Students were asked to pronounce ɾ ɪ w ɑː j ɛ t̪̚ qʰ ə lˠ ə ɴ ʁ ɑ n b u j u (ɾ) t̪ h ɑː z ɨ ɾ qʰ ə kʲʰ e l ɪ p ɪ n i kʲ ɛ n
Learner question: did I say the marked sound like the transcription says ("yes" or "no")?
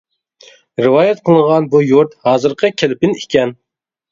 yes